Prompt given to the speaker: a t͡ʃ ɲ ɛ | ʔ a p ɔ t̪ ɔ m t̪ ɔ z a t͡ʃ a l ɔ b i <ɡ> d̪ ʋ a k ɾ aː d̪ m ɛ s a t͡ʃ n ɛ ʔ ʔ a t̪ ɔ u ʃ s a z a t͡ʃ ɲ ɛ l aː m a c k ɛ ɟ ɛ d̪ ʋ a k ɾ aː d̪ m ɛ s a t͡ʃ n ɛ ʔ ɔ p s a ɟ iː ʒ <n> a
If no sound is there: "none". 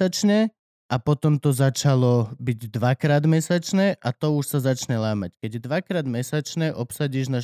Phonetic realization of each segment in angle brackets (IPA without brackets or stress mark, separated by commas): ɟ, n